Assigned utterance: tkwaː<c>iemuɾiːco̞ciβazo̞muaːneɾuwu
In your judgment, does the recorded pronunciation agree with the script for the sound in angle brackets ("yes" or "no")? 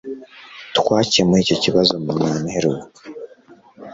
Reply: yes